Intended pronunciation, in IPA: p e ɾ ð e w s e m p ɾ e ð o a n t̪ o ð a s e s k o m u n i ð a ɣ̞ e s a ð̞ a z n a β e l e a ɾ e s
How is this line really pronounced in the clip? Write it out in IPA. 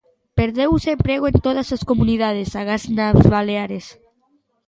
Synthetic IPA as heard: p e ɾ ð e w s e m p ɾ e ɣ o e n t̪ o ð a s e s k o m u n i ð a ð̞ e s a ɣ̞ a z n a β a l e a ɾ e s